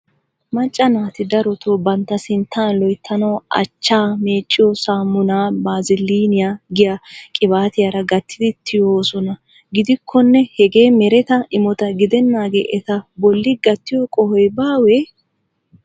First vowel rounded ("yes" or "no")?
no